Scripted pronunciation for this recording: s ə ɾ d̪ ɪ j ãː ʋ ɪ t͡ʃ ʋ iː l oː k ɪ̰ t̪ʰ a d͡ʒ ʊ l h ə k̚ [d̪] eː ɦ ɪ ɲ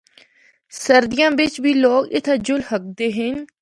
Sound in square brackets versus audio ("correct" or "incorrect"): correct